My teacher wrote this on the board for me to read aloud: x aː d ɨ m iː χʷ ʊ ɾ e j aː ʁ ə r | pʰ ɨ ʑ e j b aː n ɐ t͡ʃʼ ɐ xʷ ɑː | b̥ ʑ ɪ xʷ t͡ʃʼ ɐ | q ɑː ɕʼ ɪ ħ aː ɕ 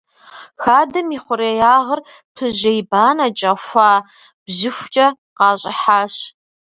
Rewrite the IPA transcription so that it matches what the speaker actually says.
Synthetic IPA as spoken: x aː d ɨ m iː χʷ ʊ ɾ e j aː ʁ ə r | pʰ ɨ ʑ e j b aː n ɐ t͡ʃʼ ɐ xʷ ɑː | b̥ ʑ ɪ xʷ t͡ʃʼ ɐ | q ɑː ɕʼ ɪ ħ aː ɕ